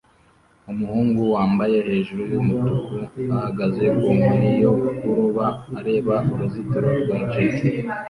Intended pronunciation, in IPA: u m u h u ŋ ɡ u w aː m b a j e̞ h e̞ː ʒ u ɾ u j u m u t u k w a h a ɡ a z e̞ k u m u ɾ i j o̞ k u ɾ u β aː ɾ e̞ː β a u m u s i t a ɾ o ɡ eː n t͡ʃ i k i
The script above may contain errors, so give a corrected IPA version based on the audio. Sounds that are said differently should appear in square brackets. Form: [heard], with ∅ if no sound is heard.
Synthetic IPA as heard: u m u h [uː] ŋ ɡ u w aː m b a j e̞ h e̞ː ʒ u ɾ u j u m u t u k [u] a h a ɡ a z e̞ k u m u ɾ i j o̞ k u ɾ u β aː ɾ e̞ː β a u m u [z] i t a ɾ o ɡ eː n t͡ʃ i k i